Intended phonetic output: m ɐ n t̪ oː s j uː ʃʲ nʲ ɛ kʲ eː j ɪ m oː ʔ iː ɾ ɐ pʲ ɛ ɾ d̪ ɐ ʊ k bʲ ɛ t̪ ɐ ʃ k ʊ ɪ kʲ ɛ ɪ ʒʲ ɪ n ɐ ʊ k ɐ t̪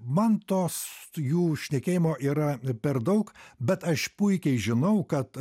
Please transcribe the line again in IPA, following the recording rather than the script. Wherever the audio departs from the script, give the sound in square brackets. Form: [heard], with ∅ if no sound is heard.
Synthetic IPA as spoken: m ɐ n t̪ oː s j uː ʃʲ nʲ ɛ kʲ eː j ɪ m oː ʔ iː ɾ ɐ pʲ ɛ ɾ d̪ ɐ ʊ k bʲ ɛ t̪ ɐ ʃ [p] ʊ ɪ kʲ ɛ ɪ ʒʲ ɪ n ɐ ʊ k ɐ t̪